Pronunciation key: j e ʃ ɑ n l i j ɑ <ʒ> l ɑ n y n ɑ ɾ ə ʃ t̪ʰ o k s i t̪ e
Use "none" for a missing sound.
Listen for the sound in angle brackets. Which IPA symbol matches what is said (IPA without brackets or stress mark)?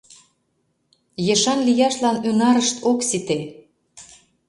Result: ʃ